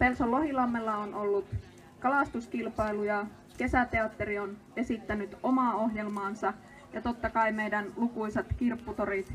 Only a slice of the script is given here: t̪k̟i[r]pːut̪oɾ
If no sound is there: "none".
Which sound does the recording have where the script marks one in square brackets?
r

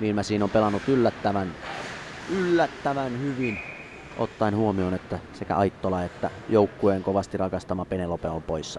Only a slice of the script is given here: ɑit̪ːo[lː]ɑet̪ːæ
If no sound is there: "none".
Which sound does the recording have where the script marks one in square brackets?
l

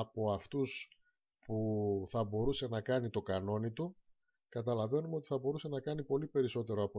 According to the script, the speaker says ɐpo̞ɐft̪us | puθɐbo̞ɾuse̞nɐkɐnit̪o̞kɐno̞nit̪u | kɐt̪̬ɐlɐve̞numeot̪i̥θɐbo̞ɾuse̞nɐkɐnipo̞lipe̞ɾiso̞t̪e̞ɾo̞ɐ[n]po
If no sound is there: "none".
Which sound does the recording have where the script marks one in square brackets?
none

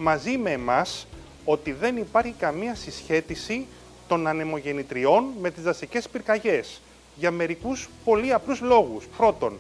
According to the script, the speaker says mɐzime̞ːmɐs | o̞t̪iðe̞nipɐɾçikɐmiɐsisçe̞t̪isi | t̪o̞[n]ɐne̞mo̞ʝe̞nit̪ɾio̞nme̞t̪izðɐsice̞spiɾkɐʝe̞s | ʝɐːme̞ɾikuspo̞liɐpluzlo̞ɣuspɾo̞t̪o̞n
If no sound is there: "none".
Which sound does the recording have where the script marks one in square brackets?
n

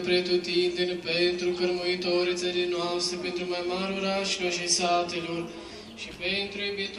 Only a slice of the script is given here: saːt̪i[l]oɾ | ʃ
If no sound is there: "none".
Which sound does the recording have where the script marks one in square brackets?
l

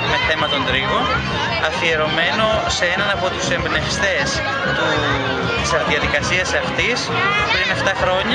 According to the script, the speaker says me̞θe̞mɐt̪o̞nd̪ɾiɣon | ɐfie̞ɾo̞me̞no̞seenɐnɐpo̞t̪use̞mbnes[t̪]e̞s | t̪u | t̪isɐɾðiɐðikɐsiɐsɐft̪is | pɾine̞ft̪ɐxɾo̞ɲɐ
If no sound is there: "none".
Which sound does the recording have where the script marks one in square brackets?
t̪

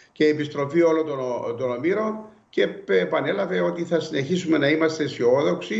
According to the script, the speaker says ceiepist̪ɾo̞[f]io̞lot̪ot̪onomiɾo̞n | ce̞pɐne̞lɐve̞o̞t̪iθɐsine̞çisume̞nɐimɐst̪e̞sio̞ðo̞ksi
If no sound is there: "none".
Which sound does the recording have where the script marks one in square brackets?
f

